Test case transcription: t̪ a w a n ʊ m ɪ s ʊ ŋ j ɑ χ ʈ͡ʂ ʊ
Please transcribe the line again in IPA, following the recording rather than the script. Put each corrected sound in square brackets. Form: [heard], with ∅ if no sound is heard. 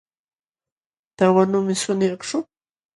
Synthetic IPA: t̪ a w a n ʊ m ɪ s ʊ [n] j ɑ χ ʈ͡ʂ ʊ